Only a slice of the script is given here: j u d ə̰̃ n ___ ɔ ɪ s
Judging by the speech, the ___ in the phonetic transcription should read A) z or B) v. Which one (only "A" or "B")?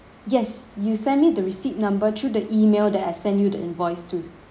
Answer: B